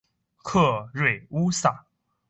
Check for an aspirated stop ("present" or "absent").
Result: present